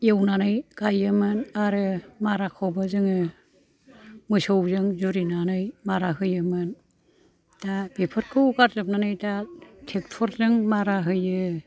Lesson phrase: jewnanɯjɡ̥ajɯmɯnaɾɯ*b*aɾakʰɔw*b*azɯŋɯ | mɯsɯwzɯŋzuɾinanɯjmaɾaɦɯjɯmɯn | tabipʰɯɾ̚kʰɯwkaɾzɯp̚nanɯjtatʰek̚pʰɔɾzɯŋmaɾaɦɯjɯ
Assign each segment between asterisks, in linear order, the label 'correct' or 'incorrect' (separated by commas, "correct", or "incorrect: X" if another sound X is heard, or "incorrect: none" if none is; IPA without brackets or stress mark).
incorrect: m, correct